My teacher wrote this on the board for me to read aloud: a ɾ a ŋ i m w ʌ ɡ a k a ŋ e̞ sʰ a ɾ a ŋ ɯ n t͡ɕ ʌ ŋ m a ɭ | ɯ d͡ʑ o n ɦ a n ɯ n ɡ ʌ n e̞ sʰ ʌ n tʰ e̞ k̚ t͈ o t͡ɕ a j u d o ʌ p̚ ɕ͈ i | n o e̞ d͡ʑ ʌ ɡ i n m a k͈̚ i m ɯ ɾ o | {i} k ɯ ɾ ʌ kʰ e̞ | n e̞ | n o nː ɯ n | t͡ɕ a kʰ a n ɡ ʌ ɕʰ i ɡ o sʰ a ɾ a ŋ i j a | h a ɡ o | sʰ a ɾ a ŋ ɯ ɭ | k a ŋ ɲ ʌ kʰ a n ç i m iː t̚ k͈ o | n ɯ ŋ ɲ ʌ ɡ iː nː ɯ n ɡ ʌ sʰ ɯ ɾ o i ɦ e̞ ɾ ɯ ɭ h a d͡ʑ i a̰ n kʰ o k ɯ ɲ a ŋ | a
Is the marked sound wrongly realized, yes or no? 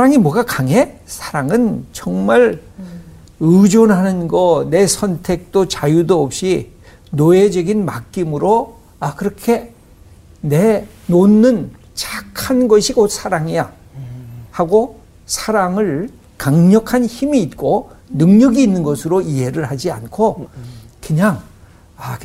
yes